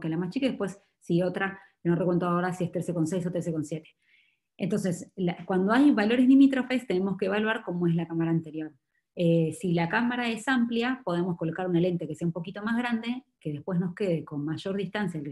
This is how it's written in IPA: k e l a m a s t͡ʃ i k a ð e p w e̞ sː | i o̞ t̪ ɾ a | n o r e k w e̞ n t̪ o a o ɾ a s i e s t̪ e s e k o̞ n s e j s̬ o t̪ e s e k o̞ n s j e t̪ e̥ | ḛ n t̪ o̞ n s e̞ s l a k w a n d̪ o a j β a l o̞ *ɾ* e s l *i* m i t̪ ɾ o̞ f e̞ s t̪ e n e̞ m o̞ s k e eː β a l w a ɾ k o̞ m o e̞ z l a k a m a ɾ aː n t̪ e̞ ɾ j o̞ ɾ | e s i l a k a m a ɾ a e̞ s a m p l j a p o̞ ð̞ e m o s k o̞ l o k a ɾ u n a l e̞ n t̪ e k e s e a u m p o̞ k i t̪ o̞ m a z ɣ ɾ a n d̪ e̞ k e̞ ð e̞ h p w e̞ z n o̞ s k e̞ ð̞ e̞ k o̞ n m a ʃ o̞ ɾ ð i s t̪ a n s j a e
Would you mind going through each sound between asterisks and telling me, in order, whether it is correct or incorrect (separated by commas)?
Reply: correct, correct